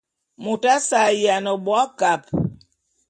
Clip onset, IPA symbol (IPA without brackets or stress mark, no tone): m